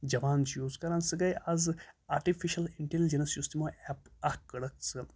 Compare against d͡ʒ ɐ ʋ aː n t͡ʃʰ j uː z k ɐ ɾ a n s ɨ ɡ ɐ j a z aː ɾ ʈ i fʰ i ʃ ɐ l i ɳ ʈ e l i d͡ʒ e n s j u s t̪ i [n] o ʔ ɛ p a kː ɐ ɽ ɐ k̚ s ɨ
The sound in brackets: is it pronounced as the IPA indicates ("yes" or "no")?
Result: no